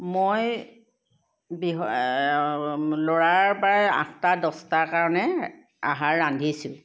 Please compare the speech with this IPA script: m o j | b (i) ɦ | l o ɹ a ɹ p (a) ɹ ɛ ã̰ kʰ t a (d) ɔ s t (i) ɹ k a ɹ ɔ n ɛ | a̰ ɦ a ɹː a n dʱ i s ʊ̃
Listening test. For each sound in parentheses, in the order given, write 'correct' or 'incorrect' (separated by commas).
correct, correct, correct, incorrect